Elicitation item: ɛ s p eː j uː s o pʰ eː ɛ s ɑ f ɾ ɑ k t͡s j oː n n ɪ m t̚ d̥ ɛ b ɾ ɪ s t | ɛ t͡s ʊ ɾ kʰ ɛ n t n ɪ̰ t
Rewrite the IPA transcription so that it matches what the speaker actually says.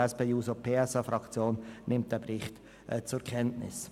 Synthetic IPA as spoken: ɛ s p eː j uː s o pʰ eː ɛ s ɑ f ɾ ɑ k t͡s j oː n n ɪ m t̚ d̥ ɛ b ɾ ɪ χ t | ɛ t͡s ʊ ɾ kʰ ɛ n t n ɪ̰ s